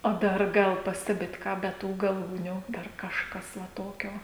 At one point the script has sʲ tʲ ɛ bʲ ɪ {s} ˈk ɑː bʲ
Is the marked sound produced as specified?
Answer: no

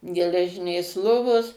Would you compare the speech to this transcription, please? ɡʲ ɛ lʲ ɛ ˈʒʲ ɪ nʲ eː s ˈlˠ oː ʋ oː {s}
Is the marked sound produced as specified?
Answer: yes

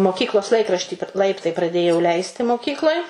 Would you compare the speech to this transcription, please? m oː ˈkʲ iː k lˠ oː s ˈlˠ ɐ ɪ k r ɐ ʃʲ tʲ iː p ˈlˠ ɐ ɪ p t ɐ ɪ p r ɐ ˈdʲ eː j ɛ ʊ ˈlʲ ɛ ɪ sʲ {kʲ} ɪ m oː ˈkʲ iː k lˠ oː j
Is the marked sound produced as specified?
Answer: no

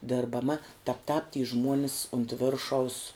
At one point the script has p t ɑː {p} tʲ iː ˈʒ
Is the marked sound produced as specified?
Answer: yes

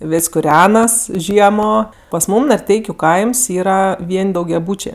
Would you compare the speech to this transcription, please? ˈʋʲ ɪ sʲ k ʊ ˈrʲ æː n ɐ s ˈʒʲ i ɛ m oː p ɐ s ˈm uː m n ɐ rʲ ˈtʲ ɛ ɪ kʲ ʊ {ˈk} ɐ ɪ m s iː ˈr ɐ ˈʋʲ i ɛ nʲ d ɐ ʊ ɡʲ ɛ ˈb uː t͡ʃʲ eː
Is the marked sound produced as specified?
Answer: yes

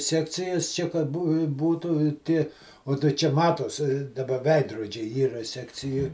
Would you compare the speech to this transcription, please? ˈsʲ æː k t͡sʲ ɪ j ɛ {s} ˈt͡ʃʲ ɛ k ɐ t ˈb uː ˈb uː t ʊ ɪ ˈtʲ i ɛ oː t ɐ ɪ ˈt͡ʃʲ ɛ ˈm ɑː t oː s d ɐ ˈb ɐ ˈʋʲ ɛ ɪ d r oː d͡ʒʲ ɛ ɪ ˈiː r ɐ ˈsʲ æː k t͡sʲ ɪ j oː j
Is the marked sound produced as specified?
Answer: yes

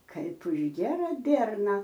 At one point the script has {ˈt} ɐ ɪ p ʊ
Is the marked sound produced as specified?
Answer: no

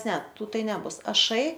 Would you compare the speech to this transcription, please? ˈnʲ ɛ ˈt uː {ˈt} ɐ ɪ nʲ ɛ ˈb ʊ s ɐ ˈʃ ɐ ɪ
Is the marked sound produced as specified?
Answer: yes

